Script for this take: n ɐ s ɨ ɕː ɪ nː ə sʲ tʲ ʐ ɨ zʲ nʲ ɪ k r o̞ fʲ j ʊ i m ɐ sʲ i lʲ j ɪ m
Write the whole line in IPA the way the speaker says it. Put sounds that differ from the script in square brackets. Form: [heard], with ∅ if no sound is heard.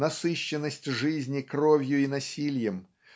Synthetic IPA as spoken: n ɐ s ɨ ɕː ɪ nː ə sʲ tʲ ʐ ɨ zʲ nʲ ɪ k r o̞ [vʲ] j ʊ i [n] ɐ sʲ i lʲ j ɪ m